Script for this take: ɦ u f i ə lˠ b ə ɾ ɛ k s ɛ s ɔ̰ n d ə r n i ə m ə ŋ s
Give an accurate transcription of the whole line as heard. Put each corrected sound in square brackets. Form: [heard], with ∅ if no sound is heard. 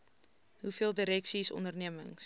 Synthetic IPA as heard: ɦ u f i ə lˠ [d] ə ɾ ɛ k s [i] s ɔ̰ n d ə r n i ə m ə ŋ s

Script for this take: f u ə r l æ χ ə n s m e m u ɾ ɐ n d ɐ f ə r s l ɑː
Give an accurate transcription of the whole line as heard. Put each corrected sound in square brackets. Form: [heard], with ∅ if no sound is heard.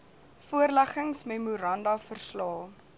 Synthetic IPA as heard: f u ə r l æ χ ə [ŋ] s m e m u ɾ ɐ n d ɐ f ə r s l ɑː

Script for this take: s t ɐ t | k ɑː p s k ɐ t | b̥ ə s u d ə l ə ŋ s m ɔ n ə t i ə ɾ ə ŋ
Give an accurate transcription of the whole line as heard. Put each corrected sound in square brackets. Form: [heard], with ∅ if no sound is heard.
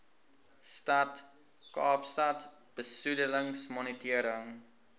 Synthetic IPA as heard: s t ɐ t | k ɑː p s [t] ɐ t | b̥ ə s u d ə l ə ŋ s m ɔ n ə t i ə ɾ ə ŋ

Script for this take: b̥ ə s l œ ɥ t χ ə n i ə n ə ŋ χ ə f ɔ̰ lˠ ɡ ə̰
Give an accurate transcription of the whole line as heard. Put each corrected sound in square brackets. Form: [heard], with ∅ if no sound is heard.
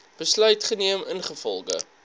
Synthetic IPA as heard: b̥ ə s l œ ɥ t χ ə n i ə [m] ə [n] χ ə f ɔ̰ lˠ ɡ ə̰

